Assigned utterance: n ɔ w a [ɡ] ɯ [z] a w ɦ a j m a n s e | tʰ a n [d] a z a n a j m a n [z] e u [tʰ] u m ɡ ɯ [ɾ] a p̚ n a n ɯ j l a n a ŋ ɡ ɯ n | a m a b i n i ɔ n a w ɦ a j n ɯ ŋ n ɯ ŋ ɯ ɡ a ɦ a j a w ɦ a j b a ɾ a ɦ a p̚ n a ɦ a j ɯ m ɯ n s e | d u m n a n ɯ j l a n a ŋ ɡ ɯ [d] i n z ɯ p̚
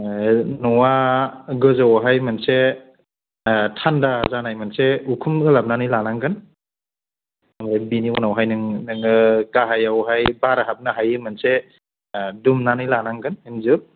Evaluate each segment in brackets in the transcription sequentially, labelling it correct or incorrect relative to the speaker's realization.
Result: correct, correct, correct, incorrect: s, incorrect: kʰ, incorrect: l, incorrect: n

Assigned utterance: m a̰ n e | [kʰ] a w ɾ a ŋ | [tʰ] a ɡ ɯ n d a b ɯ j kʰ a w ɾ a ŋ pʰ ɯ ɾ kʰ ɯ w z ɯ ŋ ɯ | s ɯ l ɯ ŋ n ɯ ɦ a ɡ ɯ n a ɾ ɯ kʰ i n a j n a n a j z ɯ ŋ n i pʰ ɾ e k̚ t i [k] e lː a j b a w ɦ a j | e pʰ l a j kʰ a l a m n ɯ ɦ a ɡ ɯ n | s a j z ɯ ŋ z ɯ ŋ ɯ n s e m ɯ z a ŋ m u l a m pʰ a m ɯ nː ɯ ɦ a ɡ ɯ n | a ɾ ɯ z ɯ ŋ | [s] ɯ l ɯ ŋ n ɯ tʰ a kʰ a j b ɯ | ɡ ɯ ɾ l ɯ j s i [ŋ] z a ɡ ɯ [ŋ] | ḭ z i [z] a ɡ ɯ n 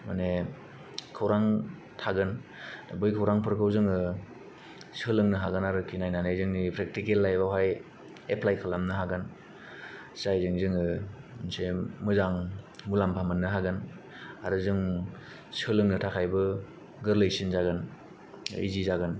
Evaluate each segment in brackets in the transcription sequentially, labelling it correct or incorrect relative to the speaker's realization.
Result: correct, correct, correct, correct, incorrect: n, incorrect: n, correct

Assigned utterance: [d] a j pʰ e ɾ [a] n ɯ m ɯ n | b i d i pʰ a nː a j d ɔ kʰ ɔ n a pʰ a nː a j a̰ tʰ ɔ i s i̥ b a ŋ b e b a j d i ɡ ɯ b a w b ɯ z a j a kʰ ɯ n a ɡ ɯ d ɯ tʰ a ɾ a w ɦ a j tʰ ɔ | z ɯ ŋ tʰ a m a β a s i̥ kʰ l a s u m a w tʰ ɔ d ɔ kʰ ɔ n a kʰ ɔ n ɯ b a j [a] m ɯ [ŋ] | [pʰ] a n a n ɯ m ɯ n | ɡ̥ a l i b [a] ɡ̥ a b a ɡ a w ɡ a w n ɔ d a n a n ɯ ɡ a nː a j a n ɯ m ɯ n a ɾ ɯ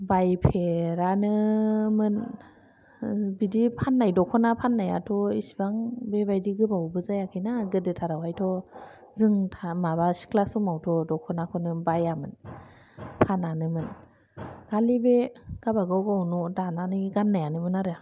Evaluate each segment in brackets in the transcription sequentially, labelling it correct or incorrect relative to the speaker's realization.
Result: incorrect: b, correct, correct, incorrect: n, correct, incorrect: e

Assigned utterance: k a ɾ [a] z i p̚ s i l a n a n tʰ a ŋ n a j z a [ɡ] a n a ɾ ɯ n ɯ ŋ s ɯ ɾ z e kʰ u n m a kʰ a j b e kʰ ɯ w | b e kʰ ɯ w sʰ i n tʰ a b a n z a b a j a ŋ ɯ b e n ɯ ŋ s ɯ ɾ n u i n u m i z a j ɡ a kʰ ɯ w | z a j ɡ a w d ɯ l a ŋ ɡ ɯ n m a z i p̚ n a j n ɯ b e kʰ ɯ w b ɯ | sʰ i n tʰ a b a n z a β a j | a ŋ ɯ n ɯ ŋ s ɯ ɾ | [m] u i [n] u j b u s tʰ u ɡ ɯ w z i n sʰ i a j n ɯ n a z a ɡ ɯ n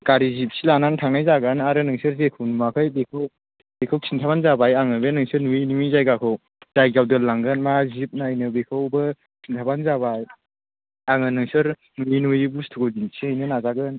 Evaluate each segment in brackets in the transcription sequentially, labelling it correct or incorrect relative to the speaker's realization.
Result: incorrect: i, correct, incorrect: n, correct

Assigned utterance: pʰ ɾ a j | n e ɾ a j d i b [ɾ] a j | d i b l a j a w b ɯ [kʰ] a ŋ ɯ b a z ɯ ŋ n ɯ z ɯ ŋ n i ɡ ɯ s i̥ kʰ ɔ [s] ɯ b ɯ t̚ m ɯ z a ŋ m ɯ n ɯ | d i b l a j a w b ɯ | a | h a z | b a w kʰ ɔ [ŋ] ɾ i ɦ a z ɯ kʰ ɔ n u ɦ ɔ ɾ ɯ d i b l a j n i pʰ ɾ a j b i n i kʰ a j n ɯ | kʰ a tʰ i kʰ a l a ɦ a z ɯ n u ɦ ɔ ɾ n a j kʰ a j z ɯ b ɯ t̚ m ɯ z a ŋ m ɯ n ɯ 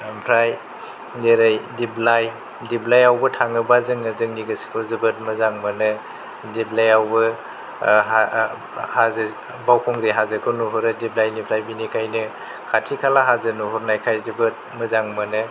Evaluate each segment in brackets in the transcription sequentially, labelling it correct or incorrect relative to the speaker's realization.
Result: incorrect: l, incorrect: tʰ, incorrect: z, correct

